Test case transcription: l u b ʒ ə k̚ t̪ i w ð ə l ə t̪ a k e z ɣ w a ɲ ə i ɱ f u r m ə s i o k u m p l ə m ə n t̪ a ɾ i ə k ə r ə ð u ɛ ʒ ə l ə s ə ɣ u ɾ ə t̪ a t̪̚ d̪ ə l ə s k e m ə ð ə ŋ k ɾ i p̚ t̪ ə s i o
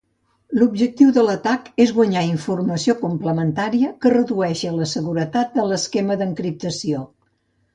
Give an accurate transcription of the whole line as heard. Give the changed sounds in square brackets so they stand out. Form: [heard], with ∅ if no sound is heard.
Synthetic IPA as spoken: l u b ʒ ə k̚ t̪ i w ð ə l ə t̪ a k e z ɣ w [ə] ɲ [a] i ɱ f u r m ə s i o k u m p l ə m ə n t̪ a ɾ i ə k ə r ə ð u ɛ [ʃ] ə l ə s ə ɣ u ɾ ə t̪ a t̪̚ d̪ ə l ə s k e m ə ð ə ŋ k ɾ i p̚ t̪ ə s i o

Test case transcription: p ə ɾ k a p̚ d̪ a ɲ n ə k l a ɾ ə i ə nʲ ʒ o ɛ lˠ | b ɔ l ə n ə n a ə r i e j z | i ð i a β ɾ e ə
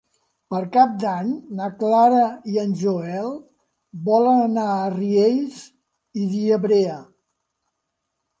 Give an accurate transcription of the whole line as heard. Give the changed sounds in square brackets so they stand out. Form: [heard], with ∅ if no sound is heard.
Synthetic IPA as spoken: p ə ɾ k a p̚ d̪ a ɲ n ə k l a ɾ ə i ə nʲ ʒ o ɛ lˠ | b ɔ l ə n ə n a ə r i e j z | i ð i [ə] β ɾ e ə

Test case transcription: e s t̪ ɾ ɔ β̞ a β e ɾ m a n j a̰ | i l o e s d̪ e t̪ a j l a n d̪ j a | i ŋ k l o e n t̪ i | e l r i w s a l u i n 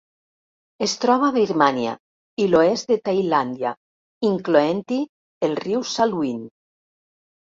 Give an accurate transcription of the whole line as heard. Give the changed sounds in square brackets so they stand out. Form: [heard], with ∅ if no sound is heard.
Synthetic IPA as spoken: e s t̪ ɾ ɔ β̞ a β [i] ɾ m a n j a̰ | i l o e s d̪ e t̪ a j l a n d̪ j a | i ŋ k l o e n t̪ i | e l r i w s a l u i n

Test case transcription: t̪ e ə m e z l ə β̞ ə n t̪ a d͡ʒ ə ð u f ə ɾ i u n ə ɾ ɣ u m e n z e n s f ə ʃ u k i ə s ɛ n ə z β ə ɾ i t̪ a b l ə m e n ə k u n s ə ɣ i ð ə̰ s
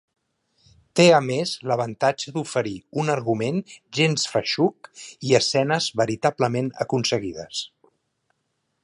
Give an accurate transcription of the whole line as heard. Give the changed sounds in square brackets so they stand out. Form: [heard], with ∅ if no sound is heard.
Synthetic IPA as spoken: t̪ e ə m e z l ə β̞ ə n t̪ a d͡ʒ ə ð u f ə ɾ i u n ə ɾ ɣ u m e n [ʒ] e n s f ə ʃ u k i ə s ɛ n ə z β ə ɾ i t̪ a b l ə m e n ə k u n s ə ɣ i ð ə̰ s

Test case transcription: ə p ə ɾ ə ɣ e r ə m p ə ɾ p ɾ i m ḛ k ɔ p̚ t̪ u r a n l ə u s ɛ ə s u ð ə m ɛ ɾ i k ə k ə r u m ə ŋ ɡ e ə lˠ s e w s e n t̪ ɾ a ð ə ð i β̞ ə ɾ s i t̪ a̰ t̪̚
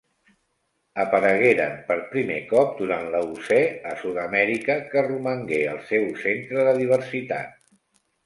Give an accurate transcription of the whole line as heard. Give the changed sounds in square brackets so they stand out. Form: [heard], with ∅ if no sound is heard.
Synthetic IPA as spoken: ə p ə ɾ ə ɣ e [ɾ] ə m p ə ɾ p ɾ i m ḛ k ɔ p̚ [d̪] u [ɾ] a n l ə u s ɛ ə s u ð ə m ɛ ɾ i k ə k ə r u m ə ŋ ɡ e ə lˠ s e w s e n t̪ ɾ [ə] ð ə ð i β̞ ə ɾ s i t̪ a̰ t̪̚

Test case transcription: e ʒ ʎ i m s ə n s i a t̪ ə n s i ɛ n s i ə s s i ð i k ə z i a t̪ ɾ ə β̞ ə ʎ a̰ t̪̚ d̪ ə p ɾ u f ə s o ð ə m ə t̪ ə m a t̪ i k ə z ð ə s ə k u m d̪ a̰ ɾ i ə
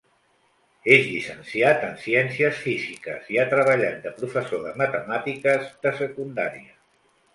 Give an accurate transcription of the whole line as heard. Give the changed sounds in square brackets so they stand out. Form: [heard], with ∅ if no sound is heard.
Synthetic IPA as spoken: e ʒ ʎ i [∅] s ə n s i a t̪ ə n s i ɛ n s i ə s [f] i [z] i k ə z i a t̪ ɾ ə β̞ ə ʎ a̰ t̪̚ d̪ ə p ɾ u f ə s o ð ə m ə t̪ ə m a t̪ i k ə z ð ə s ə k u [n] d̪ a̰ ɾ i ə

